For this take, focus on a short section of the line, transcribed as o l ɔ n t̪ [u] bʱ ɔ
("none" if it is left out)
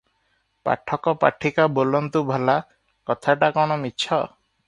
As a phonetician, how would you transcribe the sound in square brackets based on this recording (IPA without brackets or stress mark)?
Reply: u